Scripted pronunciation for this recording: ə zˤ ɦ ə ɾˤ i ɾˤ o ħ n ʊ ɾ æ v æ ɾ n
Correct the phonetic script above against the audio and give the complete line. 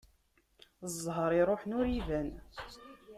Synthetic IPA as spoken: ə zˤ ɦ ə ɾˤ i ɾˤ o ħ n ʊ ɾ i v æ n